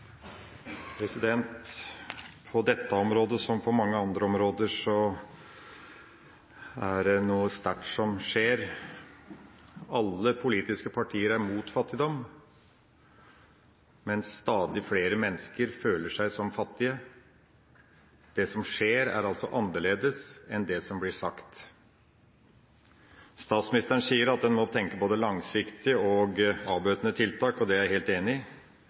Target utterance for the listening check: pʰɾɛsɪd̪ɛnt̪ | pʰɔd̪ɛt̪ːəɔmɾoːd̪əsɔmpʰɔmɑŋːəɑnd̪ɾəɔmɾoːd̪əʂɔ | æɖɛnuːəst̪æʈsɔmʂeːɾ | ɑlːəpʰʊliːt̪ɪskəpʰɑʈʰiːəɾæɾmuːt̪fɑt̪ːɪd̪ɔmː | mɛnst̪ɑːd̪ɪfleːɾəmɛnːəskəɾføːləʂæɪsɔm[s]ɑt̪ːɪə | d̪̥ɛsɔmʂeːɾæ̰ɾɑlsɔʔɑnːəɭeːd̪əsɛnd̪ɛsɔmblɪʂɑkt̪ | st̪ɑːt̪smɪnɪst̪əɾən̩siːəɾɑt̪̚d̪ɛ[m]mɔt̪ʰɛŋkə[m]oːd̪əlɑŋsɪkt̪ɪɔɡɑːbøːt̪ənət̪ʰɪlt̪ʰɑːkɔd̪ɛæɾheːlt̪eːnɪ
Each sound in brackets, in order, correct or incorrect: incorrect, incorrect, incorrect

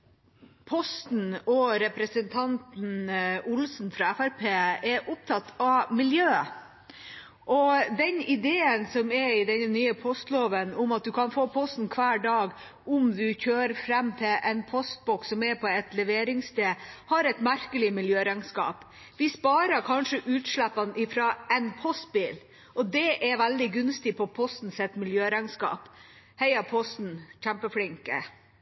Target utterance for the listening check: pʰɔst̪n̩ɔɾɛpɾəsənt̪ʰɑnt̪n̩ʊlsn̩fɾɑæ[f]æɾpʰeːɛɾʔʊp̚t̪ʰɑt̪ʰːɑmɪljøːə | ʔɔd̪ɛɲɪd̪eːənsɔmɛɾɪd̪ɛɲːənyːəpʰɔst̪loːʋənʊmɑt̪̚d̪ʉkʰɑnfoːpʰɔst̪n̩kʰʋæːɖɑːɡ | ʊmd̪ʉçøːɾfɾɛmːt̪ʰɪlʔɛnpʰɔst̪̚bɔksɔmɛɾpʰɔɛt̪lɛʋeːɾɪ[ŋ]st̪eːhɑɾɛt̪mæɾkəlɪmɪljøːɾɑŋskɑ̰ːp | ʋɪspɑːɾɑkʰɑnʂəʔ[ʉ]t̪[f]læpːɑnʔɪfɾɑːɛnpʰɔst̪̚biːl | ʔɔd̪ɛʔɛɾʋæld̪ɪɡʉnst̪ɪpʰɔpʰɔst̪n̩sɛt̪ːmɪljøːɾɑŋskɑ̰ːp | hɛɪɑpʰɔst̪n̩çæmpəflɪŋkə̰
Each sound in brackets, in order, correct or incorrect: correct, correct, incorrect, incorrect

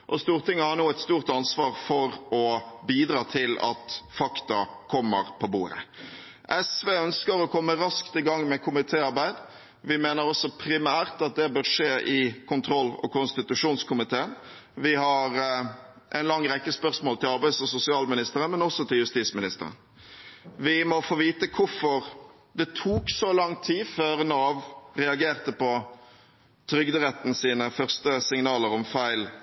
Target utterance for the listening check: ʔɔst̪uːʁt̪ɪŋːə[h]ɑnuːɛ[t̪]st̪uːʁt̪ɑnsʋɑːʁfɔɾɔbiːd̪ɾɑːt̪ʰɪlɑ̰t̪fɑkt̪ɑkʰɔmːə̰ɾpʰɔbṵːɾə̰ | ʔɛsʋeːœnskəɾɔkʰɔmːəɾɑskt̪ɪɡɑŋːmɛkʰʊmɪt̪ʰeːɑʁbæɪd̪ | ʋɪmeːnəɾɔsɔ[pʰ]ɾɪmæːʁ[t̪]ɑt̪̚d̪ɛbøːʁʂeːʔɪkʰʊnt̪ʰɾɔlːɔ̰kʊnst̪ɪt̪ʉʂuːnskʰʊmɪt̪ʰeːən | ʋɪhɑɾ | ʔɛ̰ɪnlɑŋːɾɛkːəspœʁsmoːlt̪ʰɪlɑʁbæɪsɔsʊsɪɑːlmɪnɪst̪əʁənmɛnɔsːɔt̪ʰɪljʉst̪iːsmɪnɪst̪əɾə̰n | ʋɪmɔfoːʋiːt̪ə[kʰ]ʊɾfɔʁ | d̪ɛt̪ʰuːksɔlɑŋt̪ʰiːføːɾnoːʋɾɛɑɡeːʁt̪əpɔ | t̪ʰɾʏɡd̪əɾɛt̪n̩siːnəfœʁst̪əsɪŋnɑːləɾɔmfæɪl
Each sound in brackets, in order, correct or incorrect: correct, correct, correct, correct, correct

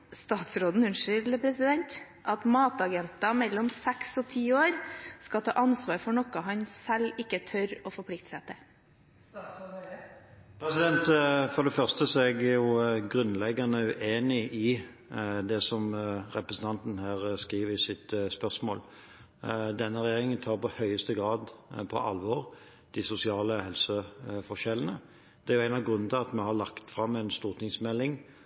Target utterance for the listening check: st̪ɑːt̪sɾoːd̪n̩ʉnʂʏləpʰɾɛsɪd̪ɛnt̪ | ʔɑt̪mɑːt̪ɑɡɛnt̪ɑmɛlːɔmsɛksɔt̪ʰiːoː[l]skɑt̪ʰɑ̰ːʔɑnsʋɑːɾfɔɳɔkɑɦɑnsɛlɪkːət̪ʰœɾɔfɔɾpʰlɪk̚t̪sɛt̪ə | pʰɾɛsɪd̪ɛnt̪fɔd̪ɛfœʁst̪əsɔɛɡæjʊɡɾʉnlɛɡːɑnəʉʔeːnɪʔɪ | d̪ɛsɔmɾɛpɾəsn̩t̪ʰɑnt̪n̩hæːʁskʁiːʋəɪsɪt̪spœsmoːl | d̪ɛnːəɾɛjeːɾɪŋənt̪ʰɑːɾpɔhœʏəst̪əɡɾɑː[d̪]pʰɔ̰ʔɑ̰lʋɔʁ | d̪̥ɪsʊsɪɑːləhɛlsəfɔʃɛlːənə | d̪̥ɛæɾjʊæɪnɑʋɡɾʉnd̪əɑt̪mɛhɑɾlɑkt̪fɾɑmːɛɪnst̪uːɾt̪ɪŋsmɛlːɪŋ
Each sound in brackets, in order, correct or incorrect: incorrect, correct

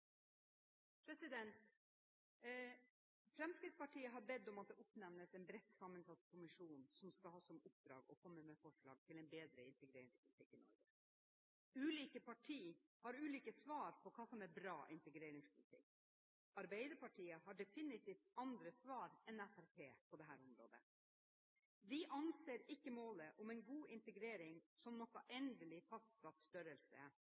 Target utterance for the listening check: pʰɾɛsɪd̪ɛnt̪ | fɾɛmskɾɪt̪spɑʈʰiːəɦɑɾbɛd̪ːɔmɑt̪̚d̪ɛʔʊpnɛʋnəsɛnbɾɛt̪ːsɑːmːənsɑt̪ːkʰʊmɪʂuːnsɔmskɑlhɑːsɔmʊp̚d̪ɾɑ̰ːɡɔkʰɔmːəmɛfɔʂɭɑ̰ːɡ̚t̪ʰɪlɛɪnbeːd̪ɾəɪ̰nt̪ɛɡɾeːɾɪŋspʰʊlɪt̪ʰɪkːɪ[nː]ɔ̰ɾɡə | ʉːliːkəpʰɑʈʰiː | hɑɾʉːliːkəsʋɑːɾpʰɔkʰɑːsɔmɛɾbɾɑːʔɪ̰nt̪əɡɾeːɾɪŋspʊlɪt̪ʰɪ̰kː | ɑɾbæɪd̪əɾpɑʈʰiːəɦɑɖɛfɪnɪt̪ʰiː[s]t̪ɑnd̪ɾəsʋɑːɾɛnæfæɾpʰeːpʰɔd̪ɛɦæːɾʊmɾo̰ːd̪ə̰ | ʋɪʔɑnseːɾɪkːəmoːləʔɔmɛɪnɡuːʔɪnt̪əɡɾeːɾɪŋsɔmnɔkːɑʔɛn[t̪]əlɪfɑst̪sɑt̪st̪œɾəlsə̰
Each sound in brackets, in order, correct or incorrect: incorrect, incorrect, incorrect

